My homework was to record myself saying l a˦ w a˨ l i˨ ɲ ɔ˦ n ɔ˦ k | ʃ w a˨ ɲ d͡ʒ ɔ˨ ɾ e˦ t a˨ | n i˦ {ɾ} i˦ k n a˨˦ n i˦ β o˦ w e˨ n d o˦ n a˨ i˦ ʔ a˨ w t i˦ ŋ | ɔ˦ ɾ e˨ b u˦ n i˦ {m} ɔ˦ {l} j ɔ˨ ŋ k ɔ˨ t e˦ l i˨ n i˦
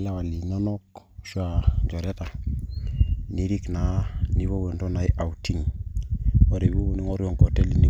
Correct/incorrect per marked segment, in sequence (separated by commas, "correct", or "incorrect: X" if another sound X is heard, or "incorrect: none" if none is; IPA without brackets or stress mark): correct, incorrect: ŋ, incorrect: ɾ